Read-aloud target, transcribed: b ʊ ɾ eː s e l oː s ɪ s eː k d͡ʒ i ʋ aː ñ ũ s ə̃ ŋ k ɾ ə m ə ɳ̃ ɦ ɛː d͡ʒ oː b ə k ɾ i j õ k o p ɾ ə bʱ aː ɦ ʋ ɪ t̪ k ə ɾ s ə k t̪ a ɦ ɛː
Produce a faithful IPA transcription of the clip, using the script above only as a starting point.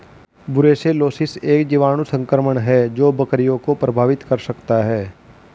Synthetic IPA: b ʊ ɾ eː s e l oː s ɪ s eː k d͡ʒ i ʋ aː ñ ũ s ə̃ ŋ k ɾ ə m ə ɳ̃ ɦ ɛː d͡ʒ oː b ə k ɾ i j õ k o p ɾ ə bʱ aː ʋ ɪ t̪ k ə ɾ s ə k t̪ a ɦ ɛː